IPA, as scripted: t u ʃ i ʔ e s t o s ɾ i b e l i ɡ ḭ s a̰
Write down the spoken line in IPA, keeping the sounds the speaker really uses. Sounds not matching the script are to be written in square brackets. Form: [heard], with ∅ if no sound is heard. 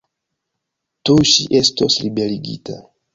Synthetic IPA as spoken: t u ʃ i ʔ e s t o s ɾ i b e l i ɡ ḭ [t] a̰